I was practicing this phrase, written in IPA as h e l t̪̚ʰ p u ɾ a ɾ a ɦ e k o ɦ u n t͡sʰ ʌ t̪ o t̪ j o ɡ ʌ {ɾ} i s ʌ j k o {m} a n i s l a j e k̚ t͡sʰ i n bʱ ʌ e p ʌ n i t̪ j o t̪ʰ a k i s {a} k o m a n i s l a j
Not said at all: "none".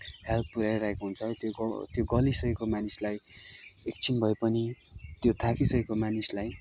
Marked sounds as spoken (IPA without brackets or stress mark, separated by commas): l, m, ʌ